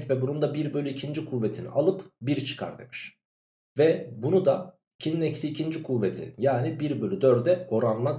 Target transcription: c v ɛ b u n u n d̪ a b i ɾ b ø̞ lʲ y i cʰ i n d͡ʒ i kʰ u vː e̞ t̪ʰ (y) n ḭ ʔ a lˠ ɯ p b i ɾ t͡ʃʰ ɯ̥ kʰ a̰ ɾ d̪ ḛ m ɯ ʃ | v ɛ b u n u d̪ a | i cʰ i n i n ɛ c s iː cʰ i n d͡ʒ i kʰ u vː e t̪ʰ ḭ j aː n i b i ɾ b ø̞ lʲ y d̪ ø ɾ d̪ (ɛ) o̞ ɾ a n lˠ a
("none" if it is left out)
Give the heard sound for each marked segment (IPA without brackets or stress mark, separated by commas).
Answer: i, ɛ